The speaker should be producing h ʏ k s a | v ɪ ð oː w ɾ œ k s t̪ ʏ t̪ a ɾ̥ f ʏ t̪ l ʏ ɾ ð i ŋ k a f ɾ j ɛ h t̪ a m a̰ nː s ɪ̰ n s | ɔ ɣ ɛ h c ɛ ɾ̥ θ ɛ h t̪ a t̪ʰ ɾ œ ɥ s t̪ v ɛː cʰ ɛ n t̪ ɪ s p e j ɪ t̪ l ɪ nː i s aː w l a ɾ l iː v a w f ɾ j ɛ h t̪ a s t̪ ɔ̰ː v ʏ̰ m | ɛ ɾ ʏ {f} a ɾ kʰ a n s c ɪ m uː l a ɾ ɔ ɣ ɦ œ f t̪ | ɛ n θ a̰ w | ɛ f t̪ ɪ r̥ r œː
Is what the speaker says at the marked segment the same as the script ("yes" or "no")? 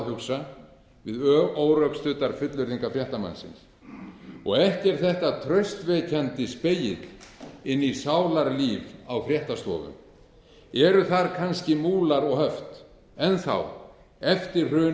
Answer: no